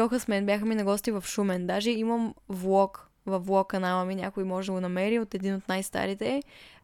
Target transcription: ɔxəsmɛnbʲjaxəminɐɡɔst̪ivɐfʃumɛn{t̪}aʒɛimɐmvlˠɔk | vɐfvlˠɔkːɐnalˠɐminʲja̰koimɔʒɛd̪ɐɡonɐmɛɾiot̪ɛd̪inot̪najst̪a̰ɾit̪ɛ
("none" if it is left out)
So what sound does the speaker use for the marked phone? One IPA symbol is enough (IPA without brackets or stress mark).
d̪